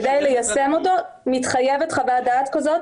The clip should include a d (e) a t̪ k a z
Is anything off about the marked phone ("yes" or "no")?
yes